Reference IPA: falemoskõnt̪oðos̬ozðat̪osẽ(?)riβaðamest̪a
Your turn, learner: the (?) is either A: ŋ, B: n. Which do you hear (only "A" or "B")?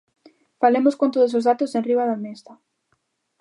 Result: B